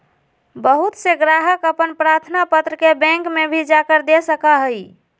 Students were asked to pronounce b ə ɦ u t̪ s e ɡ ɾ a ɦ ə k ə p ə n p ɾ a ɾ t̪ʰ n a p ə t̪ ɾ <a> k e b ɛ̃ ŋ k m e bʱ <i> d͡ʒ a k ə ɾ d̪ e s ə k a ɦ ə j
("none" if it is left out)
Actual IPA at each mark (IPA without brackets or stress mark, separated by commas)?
ə, i